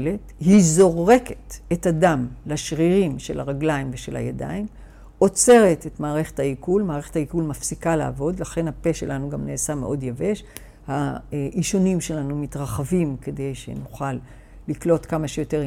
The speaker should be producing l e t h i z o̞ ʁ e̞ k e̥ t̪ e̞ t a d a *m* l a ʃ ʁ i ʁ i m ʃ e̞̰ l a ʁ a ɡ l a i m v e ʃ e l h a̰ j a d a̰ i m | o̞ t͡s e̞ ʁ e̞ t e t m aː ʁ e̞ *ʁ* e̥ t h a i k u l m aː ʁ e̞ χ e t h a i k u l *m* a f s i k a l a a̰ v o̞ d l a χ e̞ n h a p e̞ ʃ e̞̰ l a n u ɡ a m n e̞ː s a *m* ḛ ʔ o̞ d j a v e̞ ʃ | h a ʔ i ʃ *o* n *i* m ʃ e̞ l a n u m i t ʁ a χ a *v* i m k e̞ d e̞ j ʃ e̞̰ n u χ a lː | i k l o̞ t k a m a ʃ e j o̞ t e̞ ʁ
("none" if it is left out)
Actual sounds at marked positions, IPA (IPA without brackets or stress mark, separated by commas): m, χ, m, m, o, i, v